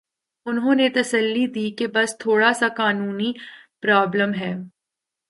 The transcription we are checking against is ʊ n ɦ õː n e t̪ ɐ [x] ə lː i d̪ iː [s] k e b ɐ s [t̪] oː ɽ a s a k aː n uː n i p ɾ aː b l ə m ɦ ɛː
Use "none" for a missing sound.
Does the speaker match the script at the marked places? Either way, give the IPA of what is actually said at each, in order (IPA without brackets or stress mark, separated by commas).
s, none, t̪ʰ